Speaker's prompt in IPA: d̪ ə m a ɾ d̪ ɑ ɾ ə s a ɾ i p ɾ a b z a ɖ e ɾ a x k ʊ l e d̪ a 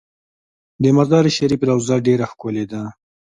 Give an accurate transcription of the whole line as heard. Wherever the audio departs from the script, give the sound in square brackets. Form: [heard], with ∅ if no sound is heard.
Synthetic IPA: d̪ ə m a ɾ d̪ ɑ ɾ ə [ʃ] a ɾ i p ɾ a [w] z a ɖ e ɾ a x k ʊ l e d̪ a

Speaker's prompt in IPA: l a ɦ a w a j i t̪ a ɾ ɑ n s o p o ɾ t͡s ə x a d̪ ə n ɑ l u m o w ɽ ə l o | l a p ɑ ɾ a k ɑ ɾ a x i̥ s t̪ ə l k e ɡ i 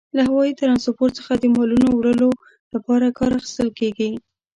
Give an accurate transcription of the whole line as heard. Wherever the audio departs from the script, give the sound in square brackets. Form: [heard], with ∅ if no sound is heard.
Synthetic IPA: l a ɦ a w [ɑ] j i t̪ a ɾ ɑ n s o p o ɾ t͡s ə x a d̪ ə [m] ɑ l u [n] o w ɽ ə l o | l a p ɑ ɾ a k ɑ ɾ a x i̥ s t̪ ə l k e ɡ i

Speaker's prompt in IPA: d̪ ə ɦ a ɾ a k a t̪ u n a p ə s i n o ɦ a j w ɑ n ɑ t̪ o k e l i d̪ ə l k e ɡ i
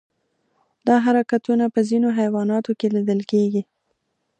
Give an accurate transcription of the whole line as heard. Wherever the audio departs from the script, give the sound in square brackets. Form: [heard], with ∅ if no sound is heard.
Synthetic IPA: d̪ [ɑ] ɦ a ɾ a k a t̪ u n a p ə [z] i n o ɦ a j w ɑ n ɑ t̪ o k e l i d̪ ə l k e ɡ i

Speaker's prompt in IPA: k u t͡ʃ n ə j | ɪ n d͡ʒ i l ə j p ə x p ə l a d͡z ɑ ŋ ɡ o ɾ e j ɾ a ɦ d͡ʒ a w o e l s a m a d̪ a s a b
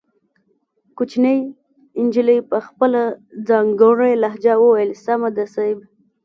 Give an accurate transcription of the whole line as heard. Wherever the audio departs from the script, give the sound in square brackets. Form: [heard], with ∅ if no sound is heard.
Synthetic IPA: k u t͡ʃ n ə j | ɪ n d͡ʒ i l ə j p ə x p ə l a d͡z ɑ ŋ ɡ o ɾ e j [l] a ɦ d͡ʒ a w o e l s a m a d̪ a s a b

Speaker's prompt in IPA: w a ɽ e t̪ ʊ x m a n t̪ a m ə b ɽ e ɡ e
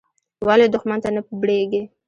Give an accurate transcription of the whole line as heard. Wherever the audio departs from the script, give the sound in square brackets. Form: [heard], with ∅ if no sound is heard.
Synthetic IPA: w a [l] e [d̪] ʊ x m a n t̪ a [n] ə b ɽ e ɡ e

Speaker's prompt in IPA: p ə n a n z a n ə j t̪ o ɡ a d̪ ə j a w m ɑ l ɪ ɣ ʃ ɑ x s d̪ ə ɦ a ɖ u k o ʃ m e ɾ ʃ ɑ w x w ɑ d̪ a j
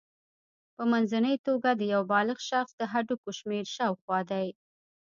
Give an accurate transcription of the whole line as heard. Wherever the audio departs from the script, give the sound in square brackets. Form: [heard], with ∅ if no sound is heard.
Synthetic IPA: p ə [m] a n z a n ə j t̪ o ɡ a d̪ ə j a w [b] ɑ l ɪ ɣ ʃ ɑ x s d̪ ə ɦ a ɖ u k o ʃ m e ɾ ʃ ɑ w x w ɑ d̪ a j

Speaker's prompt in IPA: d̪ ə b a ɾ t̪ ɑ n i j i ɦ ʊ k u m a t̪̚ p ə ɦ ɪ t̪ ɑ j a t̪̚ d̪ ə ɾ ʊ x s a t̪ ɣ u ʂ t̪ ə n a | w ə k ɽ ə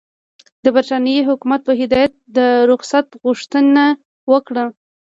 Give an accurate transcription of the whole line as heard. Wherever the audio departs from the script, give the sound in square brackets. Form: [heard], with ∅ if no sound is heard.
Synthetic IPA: d̪ ə b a ɾ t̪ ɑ n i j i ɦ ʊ k u m a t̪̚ p ə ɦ ɪ [d̪] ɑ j a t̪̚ d̪ ə ɾ ʊ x s a t̪ ɣ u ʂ t̪ ə n a | w ə k ɽ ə

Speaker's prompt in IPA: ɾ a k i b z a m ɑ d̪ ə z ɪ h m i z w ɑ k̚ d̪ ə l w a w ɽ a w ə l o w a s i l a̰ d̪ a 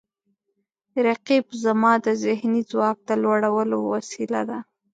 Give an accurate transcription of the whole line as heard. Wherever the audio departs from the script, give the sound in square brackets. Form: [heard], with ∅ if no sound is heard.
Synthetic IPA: ɾ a [q] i b z a m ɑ d̪ ə z ɪ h [n] i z w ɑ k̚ d̪ ə l w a [∅] ɽ a w ə l o w a s i l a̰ d̪ a

